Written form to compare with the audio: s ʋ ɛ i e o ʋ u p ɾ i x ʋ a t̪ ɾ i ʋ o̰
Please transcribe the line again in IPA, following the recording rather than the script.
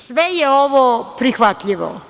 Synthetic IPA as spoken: s ʋ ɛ j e o ʋ o p ɾ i x ʋ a t̪ ʎ i ʋ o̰

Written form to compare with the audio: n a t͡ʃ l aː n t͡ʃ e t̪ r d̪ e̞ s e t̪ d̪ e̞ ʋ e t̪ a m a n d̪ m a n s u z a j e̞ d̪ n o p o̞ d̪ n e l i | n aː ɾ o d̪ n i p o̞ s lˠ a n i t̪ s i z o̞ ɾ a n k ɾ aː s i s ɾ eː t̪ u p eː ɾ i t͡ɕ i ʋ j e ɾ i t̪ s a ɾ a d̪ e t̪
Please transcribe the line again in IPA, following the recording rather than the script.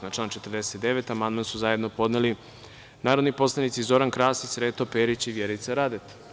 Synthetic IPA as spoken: n a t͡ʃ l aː n t͡ʃ e t̪ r d̪ e̞ s e t̪ d̪ e̞ ʋ e t̪ a m a n d̪ m a n s u z a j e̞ d̪ n o p o̞ d̪ n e l i | n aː ɾ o d̪ n i p o̞ s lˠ a n i t̪ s i z o̞ ɾ a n k ɾ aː s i s ɾ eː t̪ o p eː ɾ i t͡ɕ i ʋ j e ɾ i t̪ s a ɾ a d̪ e t̪

